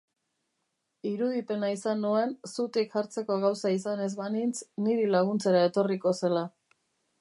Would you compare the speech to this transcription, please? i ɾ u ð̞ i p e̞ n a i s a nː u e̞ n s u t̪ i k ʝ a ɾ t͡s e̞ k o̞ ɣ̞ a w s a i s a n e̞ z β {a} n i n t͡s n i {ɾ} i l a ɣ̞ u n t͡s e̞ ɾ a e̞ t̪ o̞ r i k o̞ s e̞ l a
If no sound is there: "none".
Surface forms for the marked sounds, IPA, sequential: a, ɾ

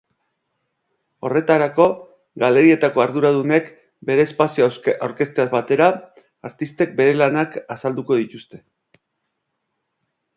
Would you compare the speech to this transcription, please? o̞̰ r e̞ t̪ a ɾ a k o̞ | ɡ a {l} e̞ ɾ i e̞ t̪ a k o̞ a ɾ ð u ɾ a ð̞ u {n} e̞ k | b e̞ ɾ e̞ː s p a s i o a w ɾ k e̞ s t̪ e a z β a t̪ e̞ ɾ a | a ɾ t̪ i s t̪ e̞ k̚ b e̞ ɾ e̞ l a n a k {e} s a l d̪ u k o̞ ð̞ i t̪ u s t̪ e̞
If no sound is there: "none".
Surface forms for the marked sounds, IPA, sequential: l, n, a

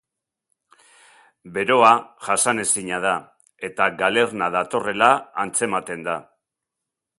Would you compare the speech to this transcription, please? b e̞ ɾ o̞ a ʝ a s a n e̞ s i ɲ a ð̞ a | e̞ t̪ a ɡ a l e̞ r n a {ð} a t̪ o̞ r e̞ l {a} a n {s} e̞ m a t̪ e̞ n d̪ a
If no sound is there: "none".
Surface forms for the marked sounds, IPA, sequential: ð, a, t͡s

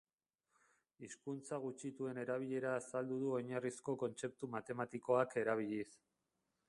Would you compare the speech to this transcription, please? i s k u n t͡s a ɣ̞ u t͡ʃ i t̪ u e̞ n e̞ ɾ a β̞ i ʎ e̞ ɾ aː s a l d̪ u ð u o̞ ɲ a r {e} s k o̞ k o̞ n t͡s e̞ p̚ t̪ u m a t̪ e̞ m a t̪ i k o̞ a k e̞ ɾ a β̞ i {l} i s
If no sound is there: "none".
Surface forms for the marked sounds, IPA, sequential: i, ʎ

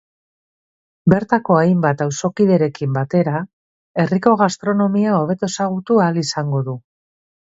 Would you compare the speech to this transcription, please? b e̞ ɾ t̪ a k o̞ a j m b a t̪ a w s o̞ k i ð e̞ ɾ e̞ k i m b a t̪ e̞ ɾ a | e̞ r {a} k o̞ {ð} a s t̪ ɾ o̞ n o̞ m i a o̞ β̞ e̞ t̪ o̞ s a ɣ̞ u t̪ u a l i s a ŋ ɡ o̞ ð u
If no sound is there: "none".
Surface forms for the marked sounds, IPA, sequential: i, ɣ

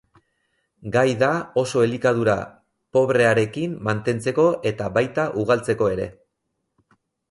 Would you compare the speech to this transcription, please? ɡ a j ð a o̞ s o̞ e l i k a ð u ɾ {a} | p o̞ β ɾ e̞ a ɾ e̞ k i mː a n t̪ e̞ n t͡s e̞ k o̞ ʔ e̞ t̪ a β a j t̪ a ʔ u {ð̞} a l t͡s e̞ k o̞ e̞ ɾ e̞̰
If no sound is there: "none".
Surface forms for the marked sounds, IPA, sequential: a, ɣ̞

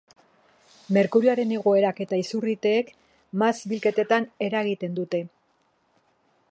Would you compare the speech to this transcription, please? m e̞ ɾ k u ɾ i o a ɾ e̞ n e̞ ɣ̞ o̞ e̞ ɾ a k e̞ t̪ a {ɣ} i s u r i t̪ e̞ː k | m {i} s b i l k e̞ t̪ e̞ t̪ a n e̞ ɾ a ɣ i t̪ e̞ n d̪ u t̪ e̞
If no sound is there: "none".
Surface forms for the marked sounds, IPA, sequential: none, a

